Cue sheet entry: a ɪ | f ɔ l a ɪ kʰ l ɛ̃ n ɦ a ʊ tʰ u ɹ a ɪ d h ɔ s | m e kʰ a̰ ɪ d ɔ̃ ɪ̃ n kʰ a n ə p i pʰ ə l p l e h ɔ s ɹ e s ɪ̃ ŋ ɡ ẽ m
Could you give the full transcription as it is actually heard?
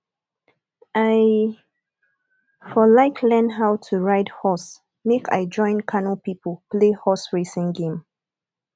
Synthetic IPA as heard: a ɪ | f ɔ l a ɪ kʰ l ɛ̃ n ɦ a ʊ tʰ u ɹ a ɪ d h ɔ s | m e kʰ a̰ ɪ d͡ʒ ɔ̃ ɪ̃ n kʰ a n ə p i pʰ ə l p l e h ɔ s ɹ e s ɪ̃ ŋ ɡ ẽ m